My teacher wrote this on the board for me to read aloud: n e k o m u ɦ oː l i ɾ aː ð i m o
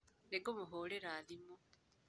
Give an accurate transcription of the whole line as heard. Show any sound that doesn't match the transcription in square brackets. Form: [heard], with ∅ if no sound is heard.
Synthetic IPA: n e [ɡ] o m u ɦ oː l [e] ɾ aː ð i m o